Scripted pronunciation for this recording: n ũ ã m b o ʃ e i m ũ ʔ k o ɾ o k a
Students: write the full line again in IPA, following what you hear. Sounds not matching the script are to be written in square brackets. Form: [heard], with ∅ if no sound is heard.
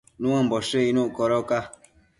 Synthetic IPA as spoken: n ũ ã m b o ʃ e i [n] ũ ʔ k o ɾ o k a

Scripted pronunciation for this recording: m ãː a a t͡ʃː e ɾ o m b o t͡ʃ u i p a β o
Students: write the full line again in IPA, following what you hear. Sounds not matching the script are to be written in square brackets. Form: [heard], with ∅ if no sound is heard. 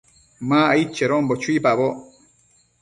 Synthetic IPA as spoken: m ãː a [i] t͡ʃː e ɾ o m b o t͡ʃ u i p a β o

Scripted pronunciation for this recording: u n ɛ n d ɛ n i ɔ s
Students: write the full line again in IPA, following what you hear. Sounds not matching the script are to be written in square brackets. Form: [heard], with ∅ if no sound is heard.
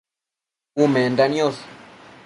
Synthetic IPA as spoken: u [m] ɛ n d [a] n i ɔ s

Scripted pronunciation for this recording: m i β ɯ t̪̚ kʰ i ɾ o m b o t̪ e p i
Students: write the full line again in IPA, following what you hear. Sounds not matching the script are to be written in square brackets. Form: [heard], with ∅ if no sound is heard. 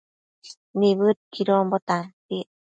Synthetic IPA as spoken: [n] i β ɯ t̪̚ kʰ i ɾ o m b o t̪ [a] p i

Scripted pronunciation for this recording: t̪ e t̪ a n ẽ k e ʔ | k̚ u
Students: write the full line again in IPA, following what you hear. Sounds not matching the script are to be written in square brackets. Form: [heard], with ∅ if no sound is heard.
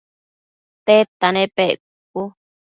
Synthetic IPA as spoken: t̪ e t̪ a n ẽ [p] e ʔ | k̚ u

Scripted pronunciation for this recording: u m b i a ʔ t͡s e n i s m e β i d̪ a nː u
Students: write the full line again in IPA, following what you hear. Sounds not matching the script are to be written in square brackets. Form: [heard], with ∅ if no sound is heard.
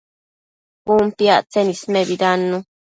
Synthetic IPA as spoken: u m [p] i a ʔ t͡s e n i s m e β i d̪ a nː u

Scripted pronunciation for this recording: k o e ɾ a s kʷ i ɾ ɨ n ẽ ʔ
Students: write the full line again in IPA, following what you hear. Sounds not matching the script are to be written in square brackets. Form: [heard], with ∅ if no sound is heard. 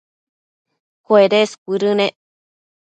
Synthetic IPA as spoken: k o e ɾ [e] s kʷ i ɾ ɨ n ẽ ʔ

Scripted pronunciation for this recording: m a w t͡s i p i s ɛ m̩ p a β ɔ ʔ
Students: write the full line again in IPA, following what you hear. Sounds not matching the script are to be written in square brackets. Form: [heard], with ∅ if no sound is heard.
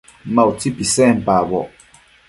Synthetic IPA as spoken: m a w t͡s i p i s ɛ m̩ p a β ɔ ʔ

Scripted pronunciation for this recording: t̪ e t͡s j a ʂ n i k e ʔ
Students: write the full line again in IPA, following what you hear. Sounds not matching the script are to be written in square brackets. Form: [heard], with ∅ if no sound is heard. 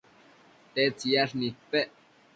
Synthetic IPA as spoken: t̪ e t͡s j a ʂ n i [p] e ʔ

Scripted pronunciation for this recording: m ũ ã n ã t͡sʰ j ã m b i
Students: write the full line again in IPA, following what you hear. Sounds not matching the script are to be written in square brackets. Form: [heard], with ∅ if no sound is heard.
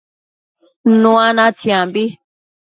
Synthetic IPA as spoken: [n] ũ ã n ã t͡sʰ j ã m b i

